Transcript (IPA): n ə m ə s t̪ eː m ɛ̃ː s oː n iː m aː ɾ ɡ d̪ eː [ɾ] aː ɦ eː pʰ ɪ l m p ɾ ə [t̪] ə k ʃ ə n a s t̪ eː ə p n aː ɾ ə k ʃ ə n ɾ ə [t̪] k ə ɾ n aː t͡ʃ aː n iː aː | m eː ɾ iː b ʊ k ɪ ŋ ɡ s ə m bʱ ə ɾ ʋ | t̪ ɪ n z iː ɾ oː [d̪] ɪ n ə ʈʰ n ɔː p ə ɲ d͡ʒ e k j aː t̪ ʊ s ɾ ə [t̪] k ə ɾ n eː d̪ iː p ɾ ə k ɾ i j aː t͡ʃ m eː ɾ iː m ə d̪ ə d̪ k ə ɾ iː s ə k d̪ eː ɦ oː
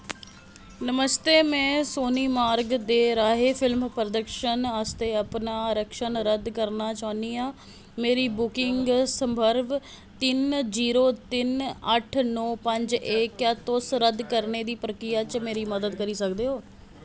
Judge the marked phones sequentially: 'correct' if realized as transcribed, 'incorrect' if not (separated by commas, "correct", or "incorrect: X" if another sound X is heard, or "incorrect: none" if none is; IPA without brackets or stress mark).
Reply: correct, incorrect: d̪, incorrect: d̪, incorrect: t̪, incorrect: d̪